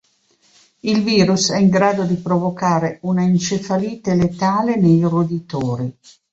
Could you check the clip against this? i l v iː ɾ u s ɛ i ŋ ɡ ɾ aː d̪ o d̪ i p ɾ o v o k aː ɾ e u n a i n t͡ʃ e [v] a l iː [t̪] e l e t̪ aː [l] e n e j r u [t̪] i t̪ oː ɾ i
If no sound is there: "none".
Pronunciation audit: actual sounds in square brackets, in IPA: f, t̪, l, d̪

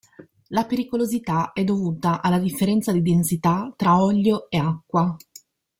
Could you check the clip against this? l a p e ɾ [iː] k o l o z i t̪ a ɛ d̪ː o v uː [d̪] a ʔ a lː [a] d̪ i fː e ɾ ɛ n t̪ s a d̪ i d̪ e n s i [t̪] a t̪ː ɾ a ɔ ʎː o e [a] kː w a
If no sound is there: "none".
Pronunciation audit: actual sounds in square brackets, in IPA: i, t̪, a, t̪, a

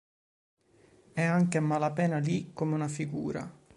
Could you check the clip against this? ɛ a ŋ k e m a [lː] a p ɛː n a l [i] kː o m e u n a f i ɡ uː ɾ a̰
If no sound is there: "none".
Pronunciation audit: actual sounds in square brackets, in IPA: l, i

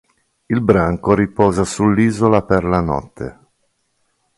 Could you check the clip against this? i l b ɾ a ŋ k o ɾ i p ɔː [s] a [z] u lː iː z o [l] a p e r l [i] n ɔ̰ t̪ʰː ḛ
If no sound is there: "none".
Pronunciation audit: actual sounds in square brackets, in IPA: z, s, l, a

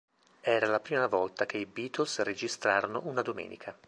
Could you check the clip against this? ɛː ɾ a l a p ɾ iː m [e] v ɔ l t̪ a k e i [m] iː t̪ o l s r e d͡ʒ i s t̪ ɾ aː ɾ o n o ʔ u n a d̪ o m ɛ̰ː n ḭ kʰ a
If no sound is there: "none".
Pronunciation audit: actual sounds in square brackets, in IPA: a, b

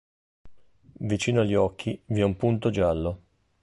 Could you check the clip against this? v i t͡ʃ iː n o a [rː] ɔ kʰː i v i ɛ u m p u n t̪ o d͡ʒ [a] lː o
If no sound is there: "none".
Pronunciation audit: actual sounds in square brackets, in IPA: ʎː, a

